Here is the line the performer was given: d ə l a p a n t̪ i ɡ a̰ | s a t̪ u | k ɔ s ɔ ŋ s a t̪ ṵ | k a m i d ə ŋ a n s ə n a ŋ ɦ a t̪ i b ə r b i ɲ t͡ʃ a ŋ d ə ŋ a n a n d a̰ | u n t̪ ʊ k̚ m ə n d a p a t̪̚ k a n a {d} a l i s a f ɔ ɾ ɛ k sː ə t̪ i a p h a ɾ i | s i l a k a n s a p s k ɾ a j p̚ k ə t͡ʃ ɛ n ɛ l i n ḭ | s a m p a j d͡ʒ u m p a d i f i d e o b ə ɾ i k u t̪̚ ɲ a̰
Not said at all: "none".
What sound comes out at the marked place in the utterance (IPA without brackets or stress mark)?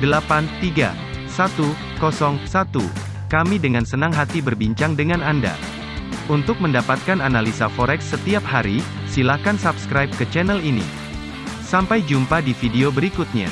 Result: n